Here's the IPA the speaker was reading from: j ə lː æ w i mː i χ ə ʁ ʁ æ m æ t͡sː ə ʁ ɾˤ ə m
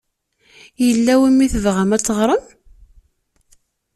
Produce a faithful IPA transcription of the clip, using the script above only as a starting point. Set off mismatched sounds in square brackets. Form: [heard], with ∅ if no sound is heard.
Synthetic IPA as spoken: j ə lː æ w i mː i [θ] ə [v] ʁ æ m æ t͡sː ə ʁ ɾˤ ə m